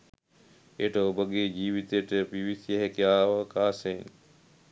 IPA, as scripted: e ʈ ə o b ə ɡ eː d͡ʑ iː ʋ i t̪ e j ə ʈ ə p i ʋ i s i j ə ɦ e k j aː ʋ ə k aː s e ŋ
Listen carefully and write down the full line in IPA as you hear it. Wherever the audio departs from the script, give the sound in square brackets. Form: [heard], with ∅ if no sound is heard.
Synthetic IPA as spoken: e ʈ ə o b ə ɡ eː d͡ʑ iː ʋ i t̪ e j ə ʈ ə p i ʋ i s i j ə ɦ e k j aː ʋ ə k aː s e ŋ

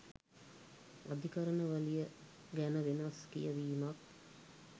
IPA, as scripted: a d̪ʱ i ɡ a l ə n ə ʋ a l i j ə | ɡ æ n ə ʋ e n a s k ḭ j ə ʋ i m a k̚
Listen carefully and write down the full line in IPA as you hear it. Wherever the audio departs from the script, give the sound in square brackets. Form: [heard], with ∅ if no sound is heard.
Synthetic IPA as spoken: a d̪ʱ i [k] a [ɾ] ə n ə ʋ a l i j ə | ɡ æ n ə ʋ e n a s k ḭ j ə ʋ [iː] m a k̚

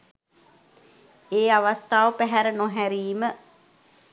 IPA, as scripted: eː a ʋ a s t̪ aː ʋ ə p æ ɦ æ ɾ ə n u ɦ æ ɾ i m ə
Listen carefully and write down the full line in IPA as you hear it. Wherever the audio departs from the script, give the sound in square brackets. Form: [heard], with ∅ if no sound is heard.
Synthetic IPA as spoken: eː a ʋ a s t̪ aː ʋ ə p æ ɦ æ ɾ ə n [o] ɦ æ ɾ [iː] m ə

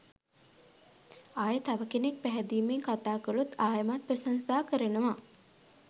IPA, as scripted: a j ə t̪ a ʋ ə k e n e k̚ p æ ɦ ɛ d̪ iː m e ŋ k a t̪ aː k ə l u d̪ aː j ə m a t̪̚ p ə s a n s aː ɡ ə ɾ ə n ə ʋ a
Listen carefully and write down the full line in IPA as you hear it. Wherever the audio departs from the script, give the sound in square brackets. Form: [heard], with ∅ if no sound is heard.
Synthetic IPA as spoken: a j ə t̪ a ʋ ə k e n e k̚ p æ ɦ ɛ d̪ iː m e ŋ k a t̪ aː k ə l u [t̪] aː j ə m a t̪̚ p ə s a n s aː [k] ə ɾ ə n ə ʋ a

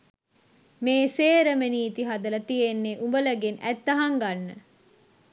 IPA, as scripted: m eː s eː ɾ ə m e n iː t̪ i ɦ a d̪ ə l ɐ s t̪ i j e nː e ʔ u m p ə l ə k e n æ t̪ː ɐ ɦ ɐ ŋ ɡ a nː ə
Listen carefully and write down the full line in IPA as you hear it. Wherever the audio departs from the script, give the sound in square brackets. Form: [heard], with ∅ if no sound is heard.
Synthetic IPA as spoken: m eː s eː ɾ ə m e n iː t̪ i ɦ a d̪ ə l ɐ [∅] t̪ i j e nː e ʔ u m [b] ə l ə [ɡ] e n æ t̪ː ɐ ɦ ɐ ŋ ɡ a nː ə

